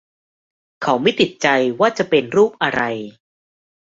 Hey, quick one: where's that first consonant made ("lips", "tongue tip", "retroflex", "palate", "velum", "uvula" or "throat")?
velum